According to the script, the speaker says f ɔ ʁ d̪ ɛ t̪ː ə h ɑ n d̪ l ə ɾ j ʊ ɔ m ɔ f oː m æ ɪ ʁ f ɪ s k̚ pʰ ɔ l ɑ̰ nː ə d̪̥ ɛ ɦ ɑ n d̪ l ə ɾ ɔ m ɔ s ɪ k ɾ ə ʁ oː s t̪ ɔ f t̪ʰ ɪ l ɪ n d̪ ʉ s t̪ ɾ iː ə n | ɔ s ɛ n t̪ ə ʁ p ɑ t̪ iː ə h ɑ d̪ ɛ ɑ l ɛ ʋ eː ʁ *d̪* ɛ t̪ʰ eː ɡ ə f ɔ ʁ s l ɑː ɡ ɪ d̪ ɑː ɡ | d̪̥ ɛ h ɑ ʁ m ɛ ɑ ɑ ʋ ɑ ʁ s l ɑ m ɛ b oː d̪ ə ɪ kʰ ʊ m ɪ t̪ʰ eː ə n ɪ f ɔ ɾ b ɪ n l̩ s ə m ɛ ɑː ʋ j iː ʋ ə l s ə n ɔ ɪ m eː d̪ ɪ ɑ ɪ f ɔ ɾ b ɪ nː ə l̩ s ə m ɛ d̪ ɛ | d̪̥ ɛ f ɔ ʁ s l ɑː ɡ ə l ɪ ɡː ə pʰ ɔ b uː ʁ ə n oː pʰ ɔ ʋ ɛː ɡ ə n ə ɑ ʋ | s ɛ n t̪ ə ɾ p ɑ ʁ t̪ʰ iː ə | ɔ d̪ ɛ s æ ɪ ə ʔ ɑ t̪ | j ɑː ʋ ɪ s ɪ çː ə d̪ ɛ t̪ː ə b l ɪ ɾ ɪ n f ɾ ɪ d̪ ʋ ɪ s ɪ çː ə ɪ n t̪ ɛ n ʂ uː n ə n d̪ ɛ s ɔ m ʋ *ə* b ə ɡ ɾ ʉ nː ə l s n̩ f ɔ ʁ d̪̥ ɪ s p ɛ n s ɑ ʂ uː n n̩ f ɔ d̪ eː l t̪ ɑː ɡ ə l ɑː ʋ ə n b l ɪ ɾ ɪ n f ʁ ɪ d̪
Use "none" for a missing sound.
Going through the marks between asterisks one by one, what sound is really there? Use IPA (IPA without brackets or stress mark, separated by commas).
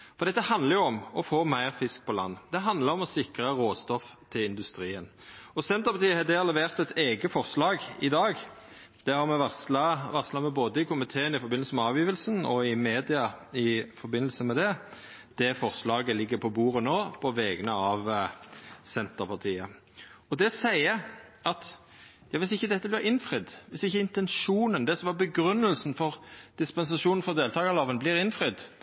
t̪, ɑ